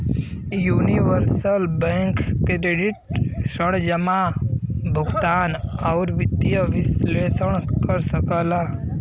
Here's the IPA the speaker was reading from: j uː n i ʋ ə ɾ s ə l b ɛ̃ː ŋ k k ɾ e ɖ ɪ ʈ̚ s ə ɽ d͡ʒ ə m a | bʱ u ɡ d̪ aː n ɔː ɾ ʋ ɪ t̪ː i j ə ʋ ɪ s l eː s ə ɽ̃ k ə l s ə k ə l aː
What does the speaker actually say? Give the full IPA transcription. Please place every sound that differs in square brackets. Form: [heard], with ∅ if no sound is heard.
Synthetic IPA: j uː n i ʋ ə ɾ s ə l b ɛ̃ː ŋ k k ɾ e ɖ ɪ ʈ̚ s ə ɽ d͡ʒ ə m a | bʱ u ɡ [t̪] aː n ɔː ɾ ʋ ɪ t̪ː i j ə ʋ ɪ s l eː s ə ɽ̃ k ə [ɾ] s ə k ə l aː